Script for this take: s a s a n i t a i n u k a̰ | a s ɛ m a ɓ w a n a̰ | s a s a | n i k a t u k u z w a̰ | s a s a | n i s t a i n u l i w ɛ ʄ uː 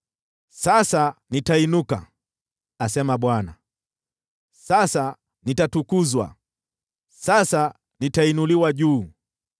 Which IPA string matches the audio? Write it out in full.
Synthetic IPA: s a s a n i t a i n u k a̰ | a s ɛ m a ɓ w a n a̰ | s a s a | n i t a t u k u z w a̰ | s a s a | n i t a i n u l i w a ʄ uː